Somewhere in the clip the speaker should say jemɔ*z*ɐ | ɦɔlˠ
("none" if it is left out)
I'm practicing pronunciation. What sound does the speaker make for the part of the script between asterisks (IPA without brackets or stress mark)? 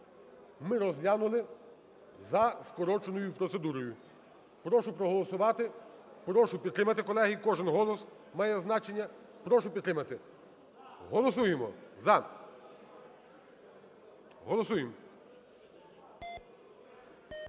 z